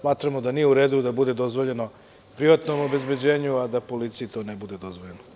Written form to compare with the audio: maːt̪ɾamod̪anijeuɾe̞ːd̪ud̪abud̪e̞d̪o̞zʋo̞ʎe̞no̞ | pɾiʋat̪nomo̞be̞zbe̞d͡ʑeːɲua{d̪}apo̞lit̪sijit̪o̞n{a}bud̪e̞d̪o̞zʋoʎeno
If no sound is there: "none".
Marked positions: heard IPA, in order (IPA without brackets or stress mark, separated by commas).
d̪, e